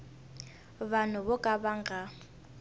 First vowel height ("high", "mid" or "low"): low